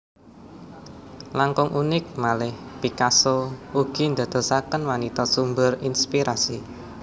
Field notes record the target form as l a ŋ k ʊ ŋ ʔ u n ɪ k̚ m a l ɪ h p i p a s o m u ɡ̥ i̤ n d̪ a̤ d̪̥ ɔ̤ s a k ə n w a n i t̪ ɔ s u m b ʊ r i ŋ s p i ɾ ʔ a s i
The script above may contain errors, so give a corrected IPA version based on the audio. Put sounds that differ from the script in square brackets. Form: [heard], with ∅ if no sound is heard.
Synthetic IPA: l a ŋ k ʊ ŋ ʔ u n ɪ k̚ m a l ɪ h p i [k] a s o [∅] u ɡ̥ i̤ n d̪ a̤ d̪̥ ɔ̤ s a k ə n w a n i t̪ ɔ s u m b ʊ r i [n] s p i ɾ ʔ a s i